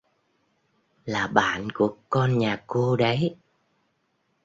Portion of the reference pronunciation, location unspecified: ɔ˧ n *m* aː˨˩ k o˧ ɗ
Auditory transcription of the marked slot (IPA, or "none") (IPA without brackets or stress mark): ɲ